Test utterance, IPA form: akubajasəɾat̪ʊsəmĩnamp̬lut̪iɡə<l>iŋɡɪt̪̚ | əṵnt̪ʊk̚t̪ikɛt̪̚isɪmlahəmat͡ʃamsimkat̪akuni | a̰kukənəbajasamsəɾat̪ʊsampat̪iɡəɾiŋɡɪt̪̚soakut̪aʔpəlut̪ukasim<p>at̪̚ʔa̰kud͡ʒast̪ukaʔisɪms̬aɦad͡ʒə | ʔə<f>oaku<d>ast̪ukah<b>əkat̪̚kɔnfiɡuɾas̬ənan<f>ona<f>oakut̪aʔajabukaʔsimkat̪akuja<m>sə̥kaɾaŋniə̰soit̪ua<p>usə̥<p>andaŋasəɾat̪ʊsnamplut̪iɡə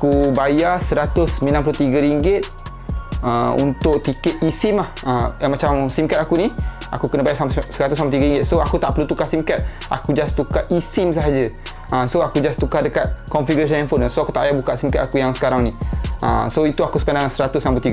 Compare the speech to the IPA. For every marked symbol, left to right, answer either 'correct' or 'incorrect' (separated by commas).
incorrect, incorrect, incorrect, incorrect, incorrect, correct, incorrect, incorrect, incorrect, correct